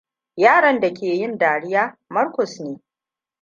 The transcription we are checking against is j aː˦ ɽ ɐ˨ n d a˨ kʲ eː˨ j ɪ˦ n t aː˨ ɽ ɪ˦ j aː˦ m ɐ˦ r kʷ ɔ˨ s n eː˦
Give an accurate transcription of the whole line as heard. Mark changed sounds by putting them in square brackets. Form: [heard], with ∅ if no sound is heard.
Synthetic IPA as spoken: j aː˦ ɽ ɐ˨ n d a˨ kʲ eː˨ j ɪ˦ n [d] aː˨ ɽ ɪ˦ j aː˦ m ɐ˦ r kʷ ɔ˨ s n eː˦